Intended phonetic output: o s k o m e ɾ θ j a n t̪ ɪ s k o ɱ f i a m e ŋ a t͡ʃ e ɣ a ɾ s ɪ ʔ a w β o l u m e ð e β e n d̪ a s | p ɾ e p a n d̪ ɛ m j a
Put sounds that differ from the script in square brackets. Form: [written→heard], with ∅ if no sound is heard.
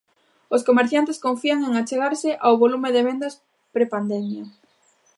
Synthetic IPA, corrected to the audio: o s k o m e ɾ θ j a n t̪ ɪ s k o ɱ f i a [m→ŋ] e ŋ a t͡ʃ e ɣ a ɾ s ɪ ʔ a w β o l u m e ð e β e n d̪ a s | p ɾ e p a n d̪ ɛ m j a